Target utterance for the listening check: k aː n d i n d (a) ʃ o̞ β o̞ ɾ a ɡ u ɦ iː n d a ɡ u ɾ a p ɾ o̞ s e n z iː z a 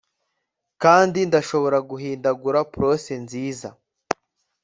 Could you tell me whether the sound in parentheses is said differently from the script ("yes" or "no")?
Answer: no